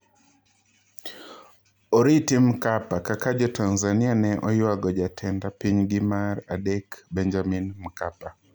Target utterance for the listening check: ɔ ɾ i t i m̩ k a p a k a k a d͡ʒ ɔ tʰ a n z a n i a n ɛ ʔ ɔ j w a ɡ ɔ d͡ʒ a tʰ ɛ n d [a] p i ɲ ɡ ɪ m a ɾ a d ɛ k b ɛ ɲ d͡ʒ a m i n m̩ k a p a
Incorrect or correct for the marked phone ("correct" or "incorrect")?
correct